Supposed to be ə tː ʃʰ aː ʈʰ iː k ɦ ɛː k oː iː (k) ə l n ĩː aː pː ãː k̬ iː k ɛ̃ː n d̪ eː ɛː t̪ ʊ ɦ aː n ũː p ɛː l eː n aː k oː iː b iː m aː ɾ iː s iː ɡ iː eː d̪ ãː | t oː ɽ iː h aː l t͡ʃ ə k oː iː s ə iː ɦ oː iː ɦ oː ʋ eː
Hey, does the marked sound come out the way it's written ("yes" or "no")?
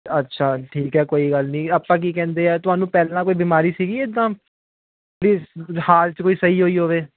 no